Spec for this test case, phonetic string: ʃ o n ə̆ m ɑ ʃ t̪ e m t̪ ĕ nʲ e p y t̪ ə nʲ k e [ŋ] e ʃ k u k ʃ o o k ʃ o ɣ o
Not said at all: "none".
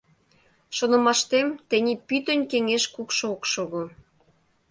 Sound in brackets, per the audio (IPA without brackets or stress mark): ŋ